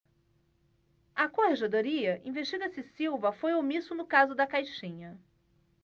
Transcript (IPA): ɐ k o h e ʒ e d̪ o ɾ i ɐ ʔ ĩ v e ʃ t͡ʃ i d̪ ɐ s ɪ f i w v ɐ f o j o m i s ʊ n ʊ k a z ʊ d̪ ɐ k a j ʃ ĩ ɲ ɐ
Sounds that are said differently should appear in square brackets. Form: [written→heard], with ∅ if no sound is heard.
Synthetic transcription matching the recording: ɐ k o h e ʒ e d̪ o ɾ i ɐ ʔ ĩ v e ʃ t͡ʃ i d̪ ɐ s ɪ [f→s] i w v ɐ f o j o m i s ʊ n ʊ k a z ʊ d̪ ɐ k a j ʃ ĩ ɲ ɐ